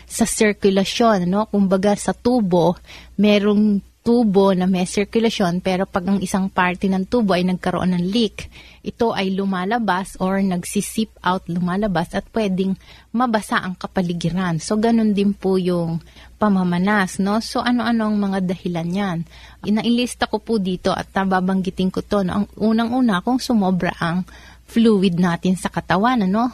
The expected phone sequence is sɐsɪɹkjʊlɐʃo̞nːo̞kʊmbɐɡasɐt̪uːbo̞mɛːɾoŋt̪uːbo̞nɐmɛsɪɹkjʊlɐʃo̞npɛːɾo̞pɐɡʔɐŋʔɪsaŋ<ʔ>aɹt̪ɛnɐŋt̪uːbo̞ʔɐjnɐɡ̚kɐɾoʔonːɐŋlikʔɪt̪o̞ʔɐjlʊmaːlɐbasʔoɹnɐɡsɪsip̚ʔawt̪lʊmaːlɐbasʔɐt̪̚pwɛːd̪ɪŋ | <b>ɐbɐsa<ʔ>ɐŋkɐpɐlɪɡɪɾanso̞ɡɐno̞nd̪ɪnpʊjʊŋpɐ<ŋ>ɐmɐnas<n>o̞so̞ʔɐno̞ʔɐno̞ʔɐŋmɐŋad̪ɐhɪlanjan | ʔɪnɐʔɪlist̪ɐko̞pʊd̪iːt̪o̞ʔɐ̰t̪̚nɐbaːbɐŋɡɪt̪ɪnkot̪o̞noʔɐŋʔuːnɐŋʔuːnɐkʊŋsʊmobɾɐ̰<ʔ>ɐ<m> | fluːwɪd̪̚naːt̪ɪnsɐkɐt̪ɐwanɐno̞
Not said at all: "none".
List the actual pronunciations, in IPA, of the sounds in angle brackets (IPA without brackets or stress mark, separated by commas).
p, m, ʔ, m, n, ʔ, ŋ